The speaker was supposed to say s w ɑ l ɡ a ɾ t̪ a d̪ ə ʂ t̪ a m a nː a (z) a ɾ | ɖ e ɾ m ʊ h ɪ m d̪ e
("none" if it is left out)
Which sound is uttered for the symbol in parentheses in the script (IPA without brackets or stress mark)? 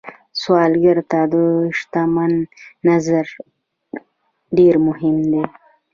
z